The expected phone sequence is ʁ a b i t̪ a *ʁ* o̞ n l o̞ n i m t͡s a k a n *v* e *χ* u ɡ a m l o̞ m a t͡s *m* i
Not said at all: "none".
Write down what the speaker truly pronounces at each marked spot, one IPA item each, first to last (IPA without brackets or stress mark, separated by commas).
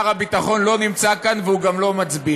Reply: χ, v, none, b